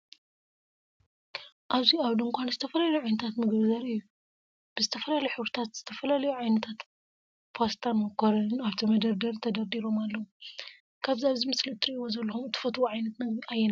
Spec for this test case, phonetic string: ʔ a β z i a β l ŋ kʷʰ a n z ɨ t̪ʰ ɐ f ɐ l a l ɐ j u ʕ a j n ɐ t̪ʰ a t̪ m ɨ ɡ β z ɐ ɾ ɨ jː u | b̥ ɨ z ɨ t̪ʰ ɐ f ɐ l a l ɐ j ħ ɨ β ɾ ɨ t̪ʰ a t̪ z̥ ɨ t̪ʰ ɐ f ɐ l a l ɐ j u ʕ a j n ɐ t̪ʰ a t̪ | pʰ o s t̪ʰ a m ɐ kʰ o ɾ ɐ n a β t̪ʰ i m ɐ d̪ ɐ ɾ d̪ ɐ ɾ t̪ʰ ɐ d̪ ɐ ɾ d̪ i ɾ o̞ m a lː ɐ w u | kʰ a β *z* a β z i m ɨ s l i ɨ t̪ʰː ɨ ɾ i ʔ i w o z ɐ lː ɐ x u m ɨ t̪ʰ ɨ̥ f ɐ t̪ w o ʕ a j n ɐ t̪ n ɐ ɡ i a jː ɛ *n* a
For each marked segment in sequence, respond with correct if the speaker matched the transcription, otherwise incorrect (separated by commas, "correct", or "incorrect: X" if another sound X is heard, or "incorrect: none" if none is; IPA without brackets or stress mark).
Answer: correct, correct